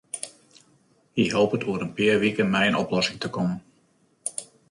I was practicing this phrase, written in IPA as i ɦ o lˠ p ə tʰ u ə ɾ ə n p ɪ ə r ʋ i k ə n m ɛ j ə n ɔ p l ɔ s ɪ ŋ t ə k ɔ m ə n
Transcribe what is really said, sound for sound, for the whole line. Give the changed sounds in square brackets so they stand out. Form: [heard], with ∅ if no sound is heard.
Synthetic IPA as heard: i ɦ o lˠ p ə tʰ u ə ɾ ə n p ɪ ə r ʋ i k ə n m ɛ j ə n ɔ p l ɔ s ɪ ŋ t ə k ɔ m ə n

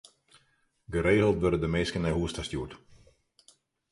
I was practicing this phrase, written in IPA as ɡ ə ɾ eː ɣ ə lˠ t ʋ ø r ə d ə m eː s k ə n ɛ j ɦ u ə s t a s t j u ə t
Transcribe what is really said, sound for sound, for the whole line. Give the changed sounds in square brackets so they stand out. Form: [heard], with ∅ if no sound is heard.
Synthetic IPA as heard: ɡ ə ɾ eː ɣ ə lˠ t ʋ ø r ə d ə m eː s k ə n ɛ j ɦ u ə s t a s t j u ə t

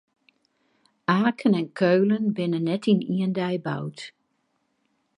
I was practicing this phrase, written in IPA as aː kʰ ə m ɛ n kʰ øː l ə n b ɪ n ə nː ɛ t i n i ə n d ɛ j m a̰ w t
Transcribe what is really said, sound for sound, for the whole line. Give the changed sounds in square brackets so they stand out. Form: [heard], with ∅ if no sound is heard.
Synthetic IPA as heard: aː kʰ ə [n] ɛ n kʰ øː l ə n b ɪ n ə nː ɛ t i n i ə n d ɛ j [b] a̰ w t

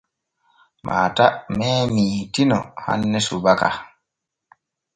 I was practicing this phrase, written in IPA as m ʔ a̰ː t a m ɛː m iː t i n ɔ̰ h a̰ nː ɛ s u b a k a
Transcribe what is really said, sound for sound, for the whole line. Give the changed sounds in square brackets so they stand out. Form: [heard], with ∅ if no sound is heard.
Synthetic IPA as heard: m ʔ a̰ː t a m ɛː m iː t i n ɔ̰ h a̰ nː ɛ s u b a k a

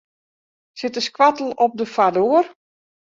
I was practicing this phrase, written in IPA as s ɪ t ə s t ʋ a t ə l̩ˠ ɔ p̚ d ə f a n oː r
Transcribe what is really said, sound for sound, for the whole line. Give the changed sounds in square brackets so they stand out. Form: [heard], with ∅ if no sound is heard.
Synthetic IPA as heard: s ɪ t ə s [k] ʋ a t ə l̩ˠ ɔ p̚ d ə f a [d] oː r

